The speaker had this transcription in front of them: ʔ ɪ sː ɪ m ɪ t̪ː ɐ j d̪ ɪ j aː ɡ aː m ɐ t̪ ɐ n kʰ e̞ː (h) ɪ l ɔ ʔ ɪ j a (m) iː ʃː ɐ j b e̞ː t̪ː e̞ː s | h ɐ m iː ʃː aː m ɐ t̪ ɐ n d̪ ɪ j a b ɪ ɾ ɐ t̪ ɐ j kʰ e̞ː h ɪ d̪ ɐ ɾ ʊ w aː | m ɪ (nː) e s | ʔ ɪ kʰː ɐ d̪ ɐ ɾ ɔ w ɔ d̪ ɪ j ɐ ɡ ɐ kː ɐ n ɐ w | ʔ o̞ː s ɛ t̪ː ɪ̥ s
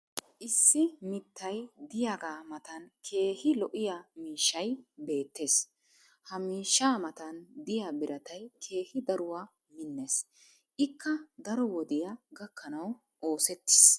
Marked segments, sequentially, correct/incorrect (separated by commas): correct, correct, correct